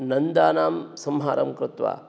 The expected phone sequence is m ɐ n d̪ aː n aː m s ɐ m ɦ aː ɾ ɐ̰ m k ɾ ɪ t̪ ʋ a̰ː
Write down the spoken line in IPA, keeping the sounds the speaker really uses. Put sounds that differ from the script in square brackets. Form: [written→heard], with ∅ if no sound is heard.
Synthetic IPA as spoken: [m→n] ɐ n d̪ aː n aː m s ɐ m ɦ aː ɾ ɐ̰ m k ɾ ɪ t̪ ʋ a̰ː